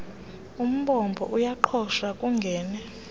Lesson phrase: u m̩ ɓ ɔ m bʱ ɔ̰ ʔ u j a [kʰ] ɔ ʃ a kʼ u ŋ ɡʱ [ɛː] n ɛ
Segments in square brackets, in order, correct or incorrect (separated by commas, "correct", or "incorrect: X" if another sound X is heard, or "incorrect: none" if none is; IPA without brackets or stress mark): incorrect: ǃʰ, correct